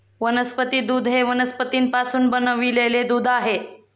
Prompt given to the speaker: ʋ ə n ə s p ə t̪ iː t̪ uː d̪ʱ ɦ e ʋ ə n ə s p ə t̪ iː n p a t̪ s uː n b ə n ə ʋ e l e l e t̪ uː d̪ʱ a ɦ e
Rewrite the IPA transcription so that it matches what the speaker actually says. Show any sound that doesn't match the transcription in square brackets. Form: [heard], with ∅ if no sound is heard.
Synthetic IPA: ʋ ə n ə s p ə t̪ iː [d̪] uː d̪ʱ ɦ e ʋ ə n ə s p ə t̪ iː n p a [∅] s uː n b ə n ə ʋ [i] l e l e [d̪] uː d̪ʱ a ɦ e